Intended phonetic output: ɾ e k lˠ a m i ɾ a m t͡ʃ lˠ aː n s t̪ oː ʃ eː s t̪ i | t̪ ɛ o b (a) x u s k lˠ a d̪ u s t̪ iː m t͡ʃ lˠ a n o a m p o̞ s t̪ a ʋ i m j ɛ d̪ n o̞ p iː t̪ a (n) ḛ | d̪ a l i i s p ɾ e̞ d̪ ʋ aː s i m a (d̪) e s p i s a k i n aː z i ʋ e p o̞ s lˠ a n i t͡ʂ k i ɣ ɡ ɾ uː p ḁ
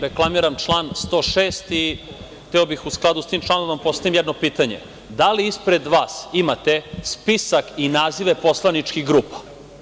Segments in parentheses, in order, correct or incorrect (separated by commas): incorrect, incorrect, incorrect